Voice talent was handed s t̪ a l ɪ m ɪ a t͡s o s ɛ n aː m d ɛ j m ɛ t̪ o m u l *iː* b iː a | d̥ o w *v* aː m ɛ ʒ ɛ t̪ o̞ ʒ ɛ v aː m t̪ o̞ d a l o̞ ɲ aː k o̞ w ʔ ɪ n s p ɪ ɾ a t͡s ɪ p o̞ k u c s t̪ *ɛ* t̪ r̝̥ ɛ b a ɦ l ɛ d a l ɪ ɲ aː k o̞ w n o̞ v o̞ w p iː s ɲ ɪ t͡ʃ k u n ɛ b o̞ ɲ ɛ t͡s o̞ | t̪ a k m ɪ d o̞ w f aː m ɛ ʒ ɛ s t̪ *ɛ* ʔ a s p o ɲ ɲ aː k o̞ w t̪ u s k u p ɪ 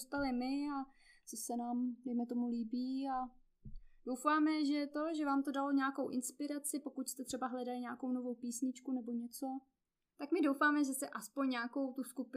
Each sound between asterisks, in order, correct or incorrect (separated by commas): correct, incorrect, correct, correct